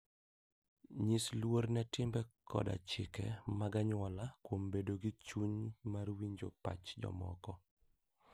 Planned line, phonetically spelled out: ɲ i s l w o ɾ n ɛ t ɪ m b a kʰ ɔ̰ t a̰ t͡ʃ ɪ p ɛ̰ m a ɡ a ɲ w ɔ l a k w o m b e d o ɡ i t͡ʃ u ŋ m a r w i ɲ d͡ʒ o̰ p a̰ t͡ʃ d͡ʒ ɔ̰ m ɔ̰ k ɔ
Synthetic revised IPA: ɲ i s l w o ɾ n ɛ t ɪ m b ɛ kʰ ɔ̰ d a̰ t͡ʃ ɪ k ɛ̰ m a ɡ a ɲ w ɔ l a k w o m b e d o ɡ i t͡ʃ u ɲ m a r w i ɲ d͡ʒ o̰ p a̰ t͡ʃ d͡ʒ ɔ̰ m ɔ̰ k ɔ